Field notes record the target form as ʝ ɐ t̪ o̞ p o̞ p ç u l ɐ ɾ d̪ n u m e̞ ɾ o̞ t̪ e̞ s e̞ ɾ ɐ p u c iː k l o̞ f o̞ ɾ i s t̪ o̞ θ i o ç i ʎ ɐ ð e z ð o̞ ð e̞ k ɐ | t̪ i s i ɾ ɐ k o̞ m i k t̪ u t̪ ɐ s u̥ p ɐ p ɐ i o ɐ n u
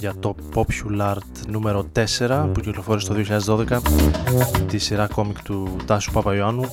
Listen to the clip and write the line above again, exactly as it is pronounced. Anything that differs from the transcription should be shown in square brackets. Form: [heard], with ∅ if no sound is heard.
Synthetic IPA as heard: ʝ ɐ t̪ o̞ p o̞ p ç u l ɐ ɾ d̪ n u m e̞ ɾ o̞ t̪ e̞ s e̞ ɾ ɐ p u c [i] k l o̞ f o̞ ɾ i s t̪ o̞ [ð] i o ç i ʎ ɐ ð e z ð o̞ ð e̞ k ɐ | t̪ i s i ɾ ɐ k o̞ m i k t̪ u t̪ ɐ s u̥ p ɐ p ɐ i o ɐ n u